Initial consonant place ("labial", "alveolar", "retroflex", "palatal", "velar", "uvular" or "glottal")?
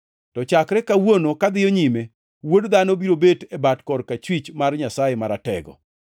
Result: alveolar